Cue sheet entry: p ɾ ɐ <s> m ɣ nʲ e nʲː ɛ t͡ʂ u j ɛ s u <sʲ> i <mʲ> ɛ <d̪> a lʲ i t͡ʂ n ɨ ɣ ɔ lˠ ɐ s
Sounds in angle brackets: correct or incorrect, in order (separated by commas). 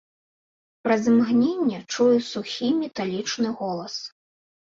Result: incorrect, incorrect, correct, incorrect